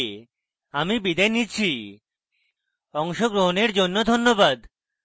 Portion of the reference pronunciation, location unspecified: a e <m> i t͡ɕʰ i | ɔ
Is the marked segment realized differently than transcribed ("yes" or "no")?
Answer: yes